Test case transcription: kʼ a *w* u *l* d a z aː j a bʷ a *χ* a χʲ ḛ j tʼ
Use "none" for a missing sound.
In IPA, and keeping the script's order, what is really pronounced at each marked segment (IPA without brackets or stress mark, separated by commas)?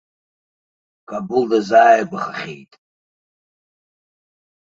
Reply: b, l, χ